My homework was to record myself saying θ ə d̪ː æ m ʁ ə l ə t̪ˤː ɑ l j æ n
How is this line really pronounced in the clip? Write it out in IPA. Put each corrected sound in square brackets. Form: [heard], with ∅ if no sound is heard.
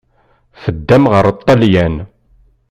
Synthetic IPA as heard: [f] ə d̪ː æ m ʁ ə [ɾ] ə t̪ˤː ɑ l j æ n